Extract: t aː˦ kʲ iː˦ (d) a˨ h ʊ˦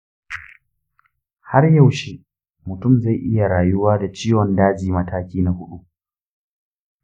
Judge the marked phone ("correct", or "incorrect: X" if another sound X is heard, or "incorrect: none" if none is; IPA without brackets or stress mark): incorrect: n